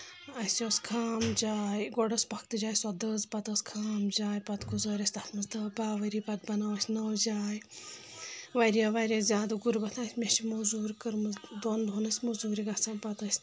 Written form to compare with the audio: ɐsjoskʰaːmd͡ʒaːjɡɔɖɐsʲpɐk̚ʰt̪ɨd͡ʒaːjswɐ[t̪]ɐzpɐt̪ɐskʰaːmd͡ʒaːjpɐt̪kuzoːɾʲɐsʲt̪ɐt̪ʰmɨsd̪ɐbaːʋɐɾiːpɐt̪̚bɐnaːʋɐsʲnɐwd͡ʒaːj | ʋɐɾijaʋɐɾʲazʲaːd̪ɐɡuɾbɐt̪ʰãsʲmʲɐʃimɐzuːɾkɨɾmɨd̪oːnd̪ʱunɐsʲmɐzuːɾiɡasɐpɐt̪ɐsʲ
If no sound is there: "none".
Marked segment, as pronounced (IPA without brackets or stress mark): d̪